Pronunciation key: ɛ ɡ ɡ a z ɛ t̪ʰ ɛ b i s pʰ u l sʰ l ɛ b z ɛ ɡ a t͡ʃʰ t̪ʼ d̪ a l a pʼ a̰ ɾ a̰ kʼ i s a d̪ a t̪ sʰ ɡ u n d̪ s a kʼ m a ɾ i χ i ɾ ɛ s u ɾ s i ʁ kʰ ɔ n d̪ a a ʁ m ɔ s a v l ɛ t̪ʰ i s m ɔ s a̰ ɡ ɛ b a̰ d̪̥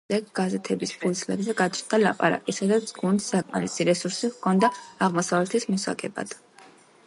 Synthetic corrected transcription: ɛ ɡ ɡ a z ɛ t̪ʰ ɛ b i s pʰ u l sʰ l ɛ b z ɛ ɡ a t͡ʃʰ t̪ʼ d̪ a l a pʼ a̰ ɾ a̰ kʼ i s a d̪ a t̪ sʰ ɡ u n d̪ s a kʼ m a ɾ i s i ɾ ɛ s u ɾ s i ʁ kʰ ɔ n d̪ a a ʁ m ɔ s a v l ɛ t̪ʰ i s m ɔ s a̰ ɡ ɛ b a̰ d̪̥